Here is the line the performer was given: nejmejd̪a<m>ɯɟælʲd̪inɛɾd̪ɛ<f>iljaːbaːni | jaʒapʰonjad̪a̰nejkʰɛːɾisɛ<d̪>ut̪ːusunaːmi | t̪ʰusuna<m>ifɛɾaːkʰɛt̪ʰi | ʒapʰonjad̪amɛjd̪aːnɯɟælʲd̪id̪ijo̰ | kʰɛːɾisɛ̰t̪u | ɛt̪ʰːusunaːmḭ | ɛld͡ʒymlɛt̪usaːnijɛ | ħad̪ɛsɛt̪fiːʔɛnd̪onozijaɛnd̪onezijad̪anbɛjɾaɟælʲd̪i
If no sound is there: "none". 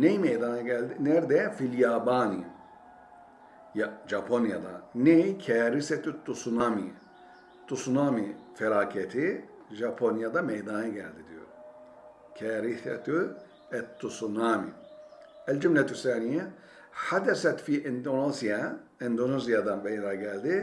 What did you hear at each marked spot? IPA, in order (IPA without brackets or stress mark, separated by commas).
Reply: n, f, t̪, m